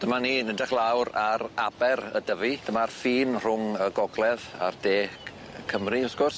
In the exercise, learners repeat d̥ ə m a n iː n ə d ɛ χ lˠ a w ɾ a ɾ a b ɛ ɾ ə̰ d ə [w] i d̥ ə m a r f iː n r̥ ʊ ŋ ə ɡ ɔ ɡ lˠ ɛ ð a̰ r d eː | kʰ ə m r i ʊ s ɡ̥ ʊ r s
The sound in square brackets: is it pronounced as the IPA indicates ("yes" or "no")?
no